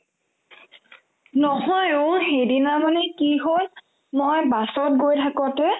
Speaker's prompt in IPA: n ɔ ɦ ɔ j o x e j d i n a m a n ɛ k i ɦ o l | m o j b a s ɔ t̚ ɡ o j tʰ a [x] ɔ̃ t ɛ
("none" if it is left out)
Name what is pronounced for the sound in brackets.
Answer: k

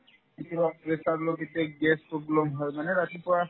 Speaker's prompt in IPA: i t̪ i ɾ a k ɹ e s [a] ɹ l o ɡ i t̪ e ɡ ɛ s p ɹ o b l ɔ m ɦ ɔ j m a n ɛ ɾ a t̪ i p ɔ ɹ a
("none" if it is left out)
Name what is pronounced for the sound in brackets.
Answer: a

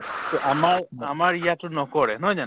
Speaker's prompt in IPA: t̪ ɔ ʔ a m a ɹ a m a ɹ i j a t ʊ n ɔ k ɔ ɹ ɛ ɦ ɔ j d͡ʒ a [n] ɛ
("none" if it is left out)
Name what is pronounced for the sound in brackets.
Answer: n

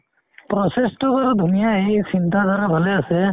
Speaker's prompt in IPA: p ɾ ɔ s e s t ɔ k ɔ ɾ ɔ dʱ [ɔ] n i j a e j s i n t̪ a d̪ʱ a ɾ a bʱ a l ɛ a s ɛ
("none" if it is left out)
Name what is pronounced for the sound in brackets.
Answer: u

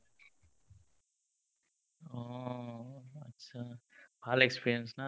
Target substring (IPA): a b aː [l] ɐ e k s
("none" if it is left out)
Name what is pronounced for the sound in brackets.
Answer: l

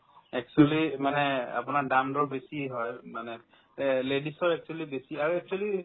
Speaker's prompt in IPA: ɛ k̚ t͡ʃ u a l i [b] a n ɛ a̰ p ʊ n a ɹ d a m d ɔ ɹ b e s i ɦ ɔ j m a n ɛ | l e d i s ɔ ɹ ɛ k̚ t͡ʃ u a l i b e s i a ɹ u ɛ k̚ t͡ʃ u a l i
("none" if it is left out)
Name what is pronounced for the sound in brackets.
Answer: m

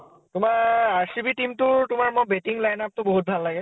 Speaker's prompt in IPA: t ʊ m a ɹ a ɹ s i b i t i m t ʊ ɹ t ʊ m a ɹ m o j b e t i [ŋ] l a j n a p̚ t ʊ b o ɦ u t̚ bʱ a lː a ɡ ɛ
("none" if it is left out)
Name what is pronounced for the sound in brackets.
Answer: ŋ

